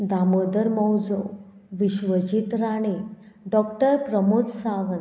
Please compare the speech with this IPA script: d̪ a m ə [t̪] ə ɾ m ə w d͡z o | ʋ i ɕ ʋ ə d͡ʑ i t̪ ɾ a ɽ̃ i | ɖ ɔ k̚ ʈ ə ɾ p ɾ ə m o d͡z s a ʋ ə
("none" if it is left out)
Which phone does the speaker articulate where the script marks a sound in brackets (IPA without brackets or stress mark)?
d̪